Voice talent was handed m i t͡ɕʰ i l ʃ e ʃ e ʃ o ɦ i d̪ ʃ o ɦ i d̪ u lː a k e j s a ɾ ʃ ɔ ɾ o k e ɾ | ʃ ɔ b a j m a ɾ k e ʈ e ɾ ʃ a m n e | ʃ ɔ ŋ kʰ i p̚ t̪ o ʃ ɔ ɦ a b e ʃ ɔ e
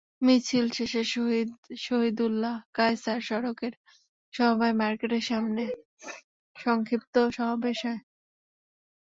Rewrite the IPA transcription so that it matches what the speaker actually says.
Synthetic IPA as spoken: m i t͡ɕʰ i l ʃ e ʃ e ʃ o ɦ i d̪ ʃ o ɦ i d̪ u lː a k a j s a ɾ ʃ ɔ ɾ o k e ɾ | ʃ ɔ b a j m a ɾ k e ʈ e ɾ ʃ a m n e | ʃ ɔ ŋ kʰ i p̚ t̪ o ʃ ɔ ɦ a b e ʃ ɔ e